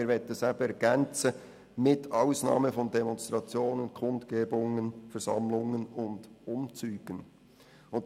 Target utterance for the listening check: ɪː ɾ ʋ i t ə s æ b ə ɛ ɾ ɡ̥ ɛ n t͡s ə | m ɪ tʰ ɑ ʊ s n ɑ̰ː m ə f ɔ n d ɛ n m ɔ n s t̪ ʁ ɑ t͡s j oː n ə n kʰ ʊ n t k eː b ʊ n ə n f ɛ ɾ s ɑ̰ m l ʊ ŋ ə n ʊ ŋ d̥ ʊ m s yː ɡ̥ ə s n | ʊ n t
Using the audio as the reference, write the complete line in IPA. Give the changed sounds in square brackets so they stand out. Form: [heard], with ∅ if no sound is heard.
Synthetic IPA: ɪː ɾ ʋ [ɛ] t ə s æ b ə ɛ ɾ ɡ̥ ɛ n t͡s ə | m ɪ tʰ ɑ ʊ s n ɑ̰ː m ə f ɔ n d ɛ [∅] m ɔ n s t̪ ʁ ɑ t͡s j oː n ə n kʰ ʊ n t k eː b ʊ [ŋ] ə n f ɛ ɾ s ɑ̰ m l ʊ ŋ ə n ʊ [n] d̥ ʊ m [t͡s] yː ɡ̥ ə [∅] n | ʊ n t